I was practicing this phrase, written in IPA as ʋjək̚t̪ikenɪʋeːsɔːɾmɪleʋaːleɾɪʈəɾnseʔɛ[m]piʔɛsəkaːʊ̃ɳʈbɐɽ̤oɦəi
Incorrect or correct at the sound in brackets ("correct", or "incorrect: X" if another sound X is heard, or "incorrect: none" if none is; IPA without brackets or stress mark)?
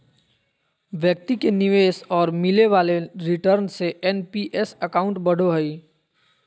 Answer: incorrect: n